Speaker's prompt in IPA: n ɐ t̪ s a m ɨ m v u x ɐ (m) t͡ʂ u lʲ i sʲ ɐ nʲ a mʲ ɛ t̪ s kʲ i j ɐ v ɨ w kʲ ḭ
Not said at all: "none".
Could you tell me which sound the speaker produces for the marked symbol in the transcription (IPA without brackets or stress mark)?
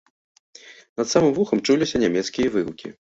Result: m